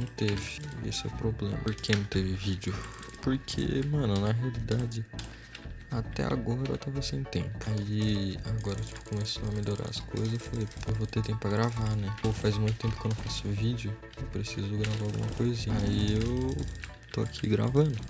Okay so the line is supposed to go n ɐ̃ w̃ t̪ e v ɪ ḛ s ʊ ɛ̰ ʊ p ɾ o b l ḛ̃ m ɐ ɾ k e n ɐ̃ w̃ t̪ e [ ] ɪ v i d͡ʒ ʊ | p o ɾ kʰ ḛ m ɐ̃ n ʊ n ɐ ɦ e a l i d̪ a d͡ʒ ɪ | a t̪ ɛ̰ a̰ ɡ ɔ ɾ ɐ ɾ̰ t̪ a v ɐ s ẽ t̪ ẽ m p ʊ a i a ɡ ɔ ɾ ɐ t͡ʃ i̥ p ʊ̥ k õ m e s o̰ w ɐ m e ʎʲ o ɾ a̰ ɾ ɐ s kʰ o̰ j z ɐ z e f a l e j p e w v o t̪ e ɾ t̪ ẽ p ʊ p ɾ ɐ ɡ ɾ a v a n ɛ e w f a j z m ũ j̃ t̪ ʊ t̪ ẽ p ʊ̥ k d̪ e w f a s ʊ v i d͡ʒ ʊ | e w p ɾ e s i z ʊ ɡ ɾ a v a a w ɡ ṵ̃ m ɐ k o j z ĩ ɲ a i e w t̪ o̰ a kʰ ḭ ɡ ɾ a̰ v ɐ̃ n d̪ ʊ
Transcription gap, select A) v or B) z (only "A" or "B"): A